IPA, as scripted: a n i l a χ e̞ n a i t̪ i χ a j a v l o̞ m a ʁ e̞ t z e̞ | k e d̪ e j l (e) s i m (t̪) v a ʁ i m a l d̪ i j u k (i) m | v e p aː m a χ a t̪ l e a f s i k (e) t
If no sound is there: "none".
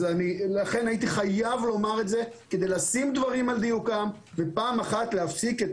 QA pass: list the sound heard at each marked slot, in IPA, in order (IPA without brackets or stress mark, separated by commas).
a, d̪, a, e